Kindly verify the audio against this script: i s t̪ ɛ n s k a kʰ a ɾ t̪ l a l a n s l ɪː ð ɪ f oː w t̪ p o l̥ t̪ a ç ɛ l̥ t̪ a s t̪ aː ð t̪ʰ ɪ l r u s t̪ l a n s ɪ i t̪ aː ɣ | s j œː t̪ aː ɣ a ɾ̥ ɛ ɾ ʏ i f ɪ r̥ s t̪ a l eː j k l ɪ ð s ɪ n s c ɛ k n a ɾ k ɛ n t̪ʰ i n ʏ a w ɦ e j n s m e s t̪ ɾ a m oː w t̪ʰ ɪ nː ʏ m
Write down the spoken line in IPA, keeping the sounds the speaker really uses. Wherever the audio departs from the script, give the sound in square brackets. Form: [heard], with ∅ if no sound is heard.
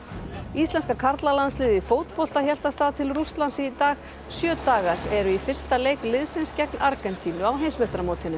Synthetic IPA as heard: i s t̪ ɛ n s k a kʰ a ɾ t̪ l a l a n s l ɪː ð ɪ f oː w t̪ p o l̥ t̪ a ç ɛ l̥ t̪ a s t̪ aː ð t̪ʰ ɪ l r u s t̪ l a n s ɪ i t̪ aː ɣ | s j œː t̪ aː ɣ a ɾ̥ ɛ ɾ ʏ i f ɪ r̥ s t̪ a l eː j k l ɪ ð s ɪ n s c ɛ k n a ɾ k ɛ n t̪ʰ i n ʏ a w ɦ e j n s m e s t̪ ɾ a m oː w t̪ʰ ɪ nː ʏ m